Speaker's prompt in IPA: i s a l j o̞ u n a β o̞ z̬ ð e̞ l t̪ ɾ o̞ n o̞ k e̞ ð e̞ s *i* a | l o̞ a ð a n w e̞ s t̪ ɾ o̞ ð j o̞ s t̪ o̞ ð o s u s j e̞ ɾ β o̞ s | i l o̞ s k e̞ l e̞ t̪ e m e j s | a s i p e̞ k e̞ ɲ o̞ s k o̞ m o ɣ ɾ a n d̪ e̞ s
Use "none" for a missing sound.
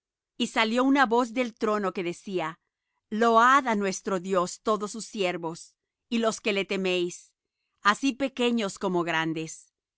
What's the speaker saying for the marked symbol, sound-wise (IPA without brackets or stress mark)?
i